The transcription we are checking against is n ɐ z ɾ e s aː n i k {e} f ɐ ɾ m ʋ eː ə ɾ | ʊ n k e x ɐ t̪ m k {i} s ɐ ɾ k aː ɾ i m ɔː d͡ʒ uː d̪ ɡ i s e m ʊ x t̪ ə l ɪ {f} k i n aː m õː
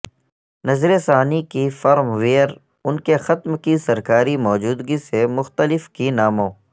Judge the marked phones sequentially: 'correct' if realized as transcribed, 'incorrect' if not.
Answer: incorrect: i, correct, correct

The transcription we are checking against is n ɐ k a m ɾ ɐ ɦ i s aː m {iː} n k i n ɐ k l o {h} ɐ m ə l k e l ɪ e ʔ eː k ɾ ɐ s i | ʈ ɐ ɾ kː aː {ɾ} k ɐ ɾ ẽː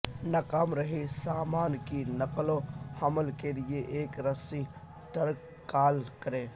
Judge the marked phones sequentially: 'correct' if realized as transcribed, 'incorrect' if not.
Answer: incorrect: aː, correct, incorrect: l

